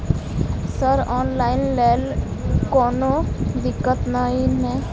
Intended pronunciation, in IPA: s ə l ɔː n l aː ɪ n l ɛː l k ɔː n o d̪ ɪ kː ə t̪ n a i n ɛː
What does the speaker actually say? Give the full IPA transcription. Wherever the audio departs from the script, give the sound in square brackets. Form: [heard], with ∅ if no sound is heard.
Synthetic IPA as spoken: s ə [ɾ] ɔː n l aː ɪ n l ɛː l k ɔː n o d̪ ɪ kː ə t̪ n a i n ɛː